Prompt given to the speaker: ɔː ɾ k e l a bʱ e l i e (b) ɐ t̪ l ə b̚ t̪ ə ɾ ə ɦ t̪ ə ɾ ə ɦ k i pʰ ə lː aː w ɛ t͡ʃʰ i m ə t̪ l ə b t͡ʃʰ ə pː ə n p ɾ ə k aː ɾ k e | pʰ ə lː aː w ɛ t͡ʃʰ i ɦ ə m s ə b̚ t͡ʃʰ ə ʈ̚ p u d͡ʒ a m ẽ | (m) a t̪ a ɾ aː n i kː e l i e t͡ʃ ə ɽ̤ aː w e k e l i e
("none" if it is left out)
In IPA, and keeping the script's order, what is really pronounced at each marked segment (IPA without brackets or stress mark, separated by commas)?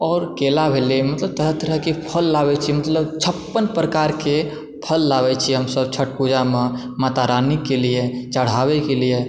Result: m, m